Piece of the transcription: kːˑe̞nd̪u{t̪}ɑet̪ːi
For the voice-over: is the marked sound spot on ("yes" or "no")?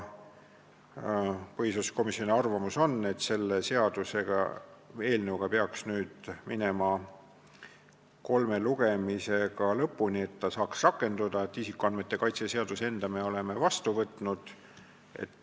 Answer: no